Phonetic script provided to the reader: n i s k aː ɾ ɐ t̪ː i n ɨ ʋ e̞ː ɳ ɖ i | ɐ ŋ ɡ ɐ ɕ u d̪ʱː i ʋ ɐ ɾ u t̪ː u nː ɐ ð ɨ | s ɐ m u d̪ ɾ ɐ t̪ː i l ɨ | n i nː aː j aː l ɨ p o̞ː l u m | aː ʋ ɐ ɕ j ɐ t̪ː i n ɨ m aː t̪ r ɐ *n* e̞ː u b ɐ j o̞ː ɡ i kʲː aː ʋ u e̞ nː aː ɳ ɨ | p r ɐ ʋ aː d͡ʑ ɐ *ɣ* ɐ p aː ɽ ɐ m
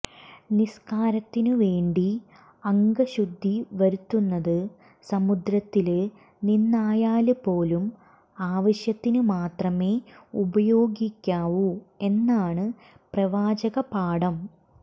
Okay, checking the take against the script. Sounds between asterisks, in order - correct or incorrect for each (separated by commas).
incorrect, correct